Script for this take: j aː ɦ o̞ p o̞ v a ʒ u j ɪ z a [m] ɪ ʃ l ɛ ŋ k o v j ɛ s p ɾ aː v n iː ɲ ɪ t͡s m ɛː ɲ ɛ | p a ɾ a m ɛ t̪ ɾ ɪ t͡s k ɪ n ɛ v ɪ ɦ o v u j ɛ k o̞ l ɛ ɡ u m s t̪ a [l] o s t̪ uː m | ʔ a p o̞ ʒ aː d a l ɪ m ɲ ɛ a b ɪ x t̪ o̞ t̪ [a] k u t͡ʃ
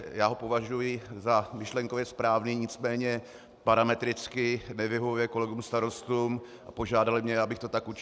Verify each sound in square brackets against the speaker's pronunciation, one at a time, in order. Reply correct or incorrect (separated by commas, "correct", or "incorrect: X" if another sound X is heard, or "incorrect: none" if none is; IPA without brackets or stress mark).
correct, incorrect: ɾ, correct